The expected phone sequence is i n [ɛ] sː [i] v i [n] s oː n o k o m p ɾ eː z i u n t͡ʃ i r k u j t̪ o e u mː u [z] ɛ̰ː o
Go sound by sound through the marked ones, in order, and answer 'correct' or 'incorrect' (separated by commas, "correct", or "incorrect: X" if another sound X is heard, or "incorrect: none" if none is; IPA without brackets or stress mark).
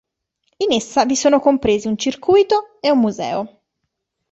incorrect: e, incorrect: a, incorrect: none, correct